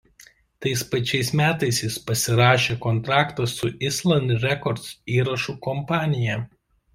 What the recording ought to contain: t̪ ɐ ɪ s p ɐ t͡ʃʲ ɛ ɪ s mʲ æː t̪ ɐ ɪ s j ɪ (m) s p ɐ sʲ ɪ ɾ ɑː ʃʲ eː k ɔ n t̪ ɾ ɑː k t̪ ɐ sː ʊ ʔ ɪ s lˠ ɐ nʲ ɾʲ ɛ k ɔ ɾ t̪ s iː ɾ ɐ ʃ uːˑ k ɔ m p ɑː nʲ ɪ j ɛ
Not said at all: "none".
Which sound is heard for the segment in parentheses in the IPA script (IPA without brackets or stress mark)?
none